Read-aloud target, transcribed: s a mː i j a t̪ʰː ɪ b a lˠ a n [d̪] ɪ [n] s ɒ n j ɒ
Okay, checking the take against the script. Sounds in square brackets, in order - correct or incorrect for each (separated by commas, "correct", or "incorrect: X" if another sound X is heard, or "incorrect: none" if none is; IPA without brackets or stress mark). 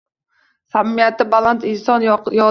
incorrect: t̪, correct